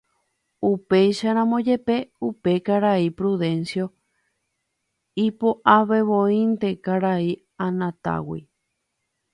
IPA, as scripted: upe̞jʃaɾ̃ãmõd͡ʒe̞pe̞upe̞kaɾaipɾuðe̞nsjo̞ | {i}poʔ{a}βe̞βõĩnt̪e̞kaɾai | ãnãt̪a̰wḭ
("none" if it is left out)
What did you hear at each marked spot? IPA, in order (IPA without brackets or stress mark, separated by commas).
i, a